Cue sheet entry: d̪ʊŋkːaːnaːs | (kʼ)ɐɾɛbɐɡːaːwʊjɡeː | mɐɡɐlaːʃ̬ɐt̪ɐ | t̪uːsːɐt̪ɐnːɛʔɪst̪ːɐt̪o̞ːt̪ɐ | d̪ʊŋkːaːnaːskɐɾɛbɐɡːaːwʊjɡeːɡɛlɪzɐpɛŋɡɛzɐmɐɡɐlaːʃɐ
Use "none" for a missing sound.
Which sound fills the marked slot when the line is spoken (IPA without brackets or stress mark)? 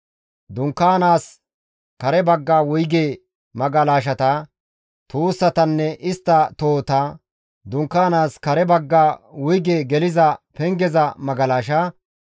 k